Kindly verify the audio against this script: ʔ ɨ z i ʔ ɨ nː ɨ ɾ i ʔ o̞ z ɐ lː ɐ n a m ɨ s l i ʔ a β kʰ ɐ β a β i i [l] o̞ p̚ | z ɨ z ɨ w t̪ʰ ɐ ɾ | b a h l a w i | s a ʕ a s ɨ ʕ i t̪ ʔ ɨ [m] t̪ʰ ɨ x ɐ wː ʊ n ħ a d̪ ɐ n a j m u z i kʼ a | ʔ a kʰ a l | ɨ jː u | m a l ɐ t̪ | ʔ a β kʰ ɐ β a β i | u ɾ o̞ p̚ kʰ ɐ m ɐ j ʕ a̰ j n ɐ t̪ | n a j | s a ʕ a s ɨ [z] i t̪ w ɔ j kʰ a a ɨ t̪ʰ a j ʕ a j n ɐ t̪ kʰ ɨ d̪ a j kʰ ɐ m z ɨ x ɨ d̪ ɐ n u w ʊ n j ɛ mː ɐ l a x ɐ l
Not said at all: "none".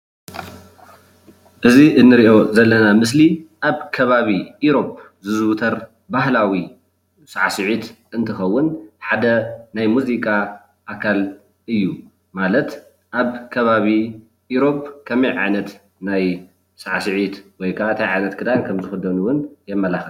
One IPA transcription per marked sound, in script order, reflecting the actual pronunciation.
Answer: ɾ, n, ʕ

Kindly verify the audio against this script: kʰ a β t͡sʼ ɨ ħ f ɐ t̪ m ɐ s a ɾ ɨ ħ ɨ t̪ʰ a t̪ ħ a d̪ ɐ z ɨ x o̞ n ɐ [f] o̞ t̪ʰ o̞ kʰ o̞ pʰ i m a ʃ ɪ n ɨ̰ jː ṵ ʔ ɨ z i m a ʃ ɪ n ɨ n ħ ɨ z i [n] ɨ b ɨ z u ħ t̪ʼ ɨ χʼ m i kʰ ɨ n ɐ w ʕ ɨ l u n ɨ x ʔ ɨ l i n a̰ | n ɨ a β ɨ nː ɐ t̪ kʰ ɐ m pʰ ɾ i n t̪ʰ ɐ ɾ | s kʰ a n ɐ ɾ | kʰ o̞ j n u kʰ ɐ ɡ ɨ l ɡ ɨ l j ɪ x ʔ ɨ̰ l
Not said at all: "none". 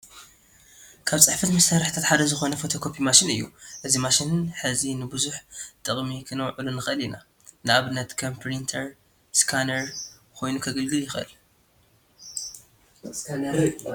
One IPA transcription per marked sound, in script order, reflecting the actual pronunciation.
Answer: f, n

